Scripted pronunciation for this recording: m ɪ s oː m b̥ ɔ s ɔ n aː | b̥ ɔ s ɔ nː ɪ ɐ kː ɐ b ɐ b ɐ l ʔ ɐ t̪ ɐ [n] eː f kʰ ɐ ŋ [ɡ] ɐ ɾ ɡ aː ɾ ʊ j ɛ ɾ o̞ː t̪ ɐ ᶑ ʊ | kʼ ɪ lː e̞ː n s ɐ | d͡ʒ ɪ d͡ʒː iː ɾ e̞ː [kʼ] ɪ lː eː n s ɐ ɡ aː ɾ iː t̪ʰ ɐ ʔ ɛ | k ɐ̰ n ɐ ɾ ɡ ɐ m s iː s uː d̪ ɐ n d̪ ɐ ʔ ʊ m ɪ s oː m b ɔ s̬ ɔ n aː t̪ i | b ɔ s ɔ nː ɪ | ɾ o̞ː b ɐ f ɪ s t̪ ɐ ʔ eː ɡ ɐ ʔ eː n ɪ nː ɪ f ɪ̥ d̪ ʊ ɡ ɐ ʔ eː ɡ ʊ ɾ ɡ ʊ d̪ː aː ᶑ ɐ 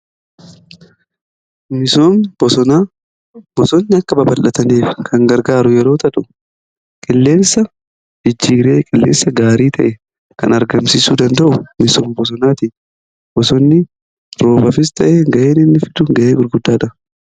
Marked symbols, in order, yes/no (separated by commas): yes, yes, yes